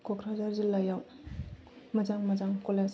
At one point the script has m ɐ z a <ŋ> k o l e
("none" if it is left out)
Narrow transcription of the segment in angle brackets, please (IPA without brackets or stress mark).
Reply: ŋ